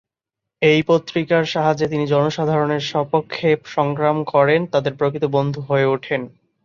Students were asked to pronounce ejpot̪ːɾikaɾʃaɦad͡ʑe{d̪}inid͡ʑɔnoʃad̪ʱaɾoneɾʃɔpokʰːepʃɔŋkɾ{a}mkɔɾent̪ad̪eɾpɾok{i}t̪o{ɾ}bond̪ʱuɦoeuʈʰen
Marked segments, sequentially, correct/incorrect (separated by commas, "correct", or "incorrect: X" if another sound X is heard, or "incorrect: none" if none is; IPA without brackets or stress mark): incorrect: t̪, correct, correct, incorrect: none